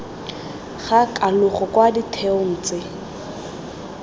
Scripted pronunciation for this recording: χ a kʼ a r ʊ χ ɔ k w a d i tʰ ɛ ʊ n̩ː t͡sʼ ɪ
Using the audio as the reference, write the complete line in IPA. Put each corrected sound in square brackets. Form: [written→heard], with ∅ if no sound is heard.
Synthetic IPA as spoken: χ a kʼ a [r→l] ʊ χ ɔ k w a d i tʰ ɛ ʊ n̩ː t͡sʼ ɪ